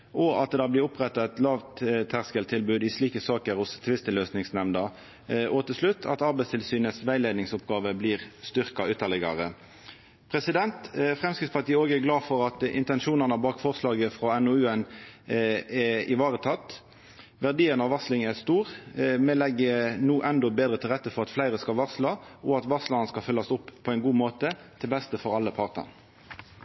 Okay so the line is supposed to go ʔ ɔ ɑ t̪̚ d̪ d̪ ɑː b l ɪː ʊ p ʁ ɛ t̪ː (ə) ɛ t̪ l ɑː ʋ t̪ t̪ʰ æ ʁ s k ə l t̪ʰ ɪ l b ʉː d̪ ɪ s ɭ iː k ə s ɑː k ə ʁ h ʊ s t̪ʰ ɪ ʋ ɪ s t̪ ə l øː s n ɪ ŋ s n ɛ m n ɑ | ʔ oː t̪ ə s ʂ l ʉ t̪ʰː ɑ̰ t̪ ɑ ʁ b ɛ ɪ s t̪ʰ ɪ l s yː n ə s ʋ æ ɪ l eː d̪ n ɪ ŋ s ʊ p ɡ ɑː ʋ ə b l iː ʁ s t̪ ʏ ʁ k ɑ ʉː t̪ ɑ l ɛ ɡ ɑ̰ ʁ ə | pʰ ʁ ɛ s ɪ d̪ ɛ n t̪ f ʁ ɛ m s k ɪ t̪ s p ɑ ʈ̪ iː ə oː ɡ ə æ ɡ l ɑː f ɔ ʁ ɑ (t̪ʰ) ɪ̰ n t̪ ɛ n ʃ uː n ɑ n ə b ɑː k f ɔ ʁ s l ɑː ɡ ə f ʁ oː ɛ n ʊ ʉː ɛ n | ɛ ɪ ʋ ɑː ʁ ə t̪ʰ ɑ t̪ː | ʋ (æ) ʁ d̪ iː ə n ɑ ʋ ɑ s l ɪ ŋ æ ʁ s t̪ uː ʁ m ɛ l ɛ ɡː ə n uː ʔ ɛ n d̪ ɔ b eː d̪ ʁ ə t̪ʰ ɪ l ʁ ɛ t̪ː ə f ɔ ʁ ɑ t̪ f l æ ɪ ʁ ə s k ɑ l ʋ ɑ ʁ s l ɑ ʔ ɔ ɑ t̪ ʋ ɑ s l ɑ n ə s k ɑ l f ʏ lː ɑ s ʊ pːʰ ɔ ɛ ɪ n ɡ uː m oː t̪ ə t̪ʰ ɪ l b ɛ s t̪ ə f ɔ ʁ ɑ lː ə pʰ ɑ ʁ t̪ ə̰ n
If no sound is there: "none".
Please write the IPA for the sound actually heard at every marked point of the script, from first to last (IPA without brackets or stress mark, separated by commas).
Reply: ɑ, t̪, æ